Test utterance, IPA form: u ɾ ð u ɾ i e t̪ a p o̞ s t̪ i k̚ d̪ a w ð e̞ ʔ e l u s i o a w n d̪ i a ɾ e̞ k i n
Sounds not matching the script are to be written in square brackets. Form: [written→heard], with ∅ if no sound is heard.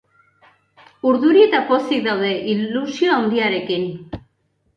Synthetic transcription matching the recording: u ɾ ð u ɾ i e t̪ a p o̞ s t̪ i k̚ d̪ a w ð e̞ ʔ [e→i] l u s i o a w n d̪ i a ɾ e̞ k i n